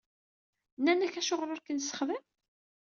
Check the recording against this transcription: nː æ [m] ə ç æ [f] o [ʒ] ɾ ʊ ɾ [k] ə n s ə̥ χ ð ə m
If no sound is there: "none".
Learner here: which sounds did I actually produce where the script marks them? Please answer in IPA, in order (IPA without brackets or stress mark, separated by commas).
n, ʃ, ʁ, k